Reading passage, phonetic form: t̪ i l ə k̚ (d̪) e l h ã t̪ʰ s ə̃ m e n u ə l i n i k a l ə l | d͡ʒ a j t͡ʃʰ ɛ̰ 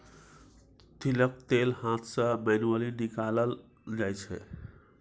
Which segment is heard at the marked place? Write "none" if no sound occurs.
t̪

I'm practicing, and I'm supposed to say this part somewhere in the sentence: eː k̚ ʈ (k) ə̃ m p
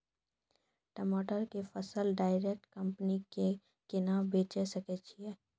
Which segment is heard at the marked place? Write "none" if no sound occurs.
k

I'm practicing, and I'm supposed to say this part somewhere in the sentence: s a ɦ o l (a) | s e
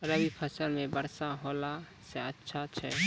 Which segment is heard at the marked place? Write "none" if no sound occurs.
a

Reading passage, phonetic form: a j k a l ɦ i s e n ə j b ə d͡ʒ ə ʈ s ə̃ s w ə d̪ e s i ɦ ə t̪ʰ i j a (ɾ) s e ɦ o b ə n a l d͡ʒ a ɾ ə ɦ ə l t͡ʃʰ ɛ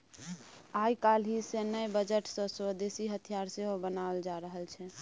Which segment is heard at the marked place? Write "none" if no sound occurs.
ɾ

